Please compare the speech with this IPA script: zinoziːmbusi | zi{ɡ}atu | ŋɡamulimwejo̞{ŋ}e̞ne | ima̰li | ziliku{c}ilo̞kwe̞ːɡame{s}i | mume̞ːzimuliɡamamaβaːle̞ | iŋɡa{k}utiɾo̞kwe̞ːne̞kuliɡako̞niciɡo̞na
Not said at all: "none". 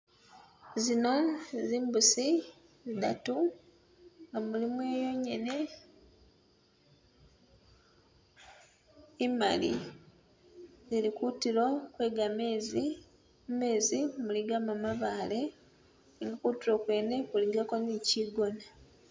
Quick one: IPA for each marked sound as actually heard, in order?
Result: d, ɲ, t, z, k

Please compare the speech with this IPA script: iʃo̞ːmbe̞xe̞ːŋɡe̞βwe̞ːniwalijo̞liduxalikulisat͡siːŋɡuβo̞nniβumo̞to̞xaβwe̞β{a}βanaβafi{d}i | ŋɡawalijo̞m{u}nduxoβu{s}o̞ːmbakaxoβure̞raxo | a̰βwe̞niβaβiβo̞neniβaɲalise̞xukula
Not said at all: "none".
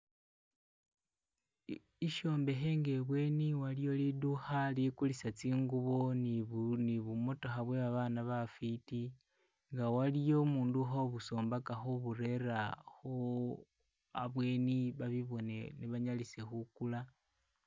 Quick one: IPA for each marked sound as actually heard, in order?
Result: a, t, uː, s

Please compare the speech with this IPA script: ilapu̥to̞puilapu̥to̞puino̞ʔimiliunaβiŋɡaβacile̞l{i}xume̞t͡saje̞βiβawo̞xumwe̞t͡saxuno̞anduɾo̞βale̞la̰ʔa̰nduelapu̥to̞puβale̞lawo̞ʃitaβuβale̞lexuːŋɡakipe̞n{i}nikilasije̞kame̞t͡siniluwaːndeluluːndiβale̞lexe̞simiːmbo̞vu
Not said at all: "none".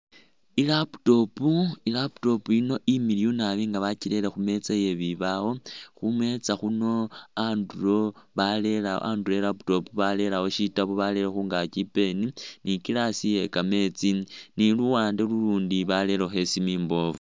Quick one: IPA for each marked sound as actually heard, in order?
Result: e, i

